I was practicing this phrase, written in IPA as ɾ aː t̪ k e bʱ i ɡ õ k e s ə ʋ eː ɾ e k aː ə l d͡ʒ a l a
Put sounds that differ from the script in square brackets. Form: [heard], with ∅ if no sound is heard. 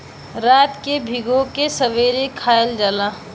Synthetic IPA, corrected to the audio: ɾ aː t̪ k e bʱ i ɡ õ k e s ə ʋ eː ɾ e [kʰ] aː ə l d͡ʒ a l a